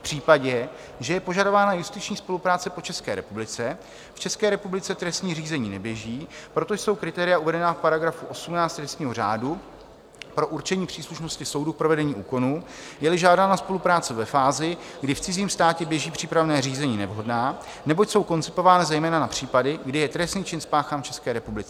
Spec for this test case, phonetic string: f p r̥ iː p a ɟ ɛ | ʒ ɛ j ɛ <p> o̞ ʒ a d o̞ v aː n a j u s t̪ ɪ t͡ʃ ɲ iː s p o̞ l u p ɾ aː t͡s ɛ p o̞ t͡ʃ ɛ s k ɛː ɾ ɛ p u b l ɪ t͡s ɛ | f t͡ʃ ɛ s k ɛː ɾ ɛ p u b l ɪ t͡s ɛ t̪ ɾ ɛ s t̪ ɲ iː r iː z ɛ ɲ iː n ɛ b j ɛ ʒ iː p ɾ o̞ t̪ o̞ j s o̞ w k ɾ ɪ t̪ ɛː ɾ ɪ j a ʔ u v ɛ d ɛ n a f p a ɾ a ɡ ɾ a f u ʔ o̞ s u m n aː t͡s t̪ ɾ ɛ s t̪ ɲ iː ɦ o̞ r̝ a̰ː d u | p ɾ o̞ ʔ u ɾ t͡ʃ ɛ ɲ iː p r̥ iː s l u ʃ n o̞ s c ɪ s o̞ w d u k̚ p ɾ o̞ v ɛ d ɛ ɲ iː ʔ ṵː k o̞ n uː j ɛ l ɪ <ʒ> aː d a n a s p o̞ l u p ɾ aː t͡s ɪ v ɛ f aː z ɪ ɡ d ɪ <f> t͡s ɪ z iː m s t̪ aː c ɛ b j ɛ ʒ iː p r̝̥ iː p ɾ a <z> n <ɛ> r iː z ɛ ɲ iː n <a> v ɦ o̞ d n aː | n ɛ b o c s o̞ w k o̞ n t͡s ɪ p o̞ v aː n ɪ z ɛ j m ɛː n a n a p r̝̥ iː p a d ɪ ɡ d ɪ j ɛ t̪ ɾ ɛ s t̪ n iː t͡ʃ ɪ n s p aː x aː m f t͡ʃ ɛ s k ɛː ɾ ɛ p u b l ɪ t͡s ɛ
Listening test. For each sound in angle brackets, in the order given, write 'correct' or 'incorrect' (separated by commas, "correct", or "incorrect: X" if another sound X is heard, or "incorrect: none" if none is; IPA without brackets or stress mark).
correct, correct, correct, incorrect: v, incorrect: ɛː, incorrect: ɛ